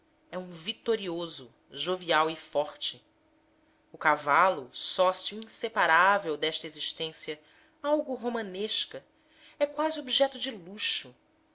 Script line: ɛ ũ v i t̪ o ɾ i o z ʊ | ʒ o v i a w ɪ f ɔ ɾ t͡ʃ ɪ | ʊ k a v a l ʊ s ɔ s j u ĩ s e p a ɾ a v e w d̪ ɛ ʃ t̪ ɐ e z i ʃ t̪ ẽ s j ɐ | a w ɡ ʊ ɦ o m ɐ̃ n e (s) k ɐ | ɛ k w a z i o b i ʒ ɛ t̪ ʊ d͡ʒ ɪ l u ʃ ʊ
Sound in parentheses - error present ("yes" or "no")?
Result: yes